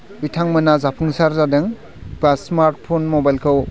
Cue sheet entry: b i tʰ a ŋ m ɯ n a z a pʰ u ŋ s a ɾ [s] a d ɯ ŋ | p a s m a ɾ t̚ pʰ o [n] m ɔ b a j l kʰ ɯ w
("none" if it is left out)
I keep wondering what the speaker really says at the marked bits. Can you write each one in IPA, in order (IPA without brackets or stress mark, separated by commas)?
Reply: z, n